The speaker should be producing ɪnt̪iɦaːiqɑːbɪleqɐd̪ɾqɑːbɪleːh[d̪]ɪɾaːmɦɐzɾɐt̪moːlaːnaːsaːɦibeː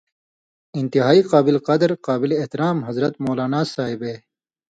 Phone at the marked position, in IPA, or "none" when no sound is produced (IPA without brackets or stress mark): t̪